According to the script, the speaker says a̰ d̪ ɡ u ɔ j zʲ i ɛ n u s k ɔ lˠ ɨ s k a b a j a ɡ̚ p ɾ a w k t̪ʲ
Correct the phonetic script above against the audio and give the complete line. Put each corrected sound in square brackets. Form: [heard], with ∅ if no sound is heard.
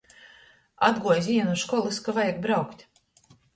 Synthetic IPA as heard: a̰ d̪ ɡ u ɔ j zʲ i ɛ n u [ʃ] k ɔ lˠ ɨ s k a [v] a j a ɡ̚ [b] ɾ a w k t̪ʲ